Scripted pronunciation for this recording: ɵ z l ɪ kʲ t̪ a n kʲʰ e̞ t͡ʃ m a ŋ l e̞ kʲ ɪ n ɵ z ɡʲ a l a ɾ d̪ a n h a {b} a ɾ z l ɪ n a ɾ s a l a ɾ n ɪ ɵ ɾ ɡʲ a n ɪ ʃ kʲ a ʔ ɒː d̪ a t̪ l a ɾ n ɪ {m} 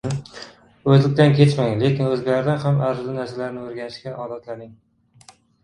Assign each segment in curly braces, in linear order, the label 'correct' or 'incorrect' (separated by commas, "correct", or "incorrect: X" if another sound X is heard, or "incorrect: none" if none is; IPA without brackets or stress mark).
incorrect: m, incorrect: ŋ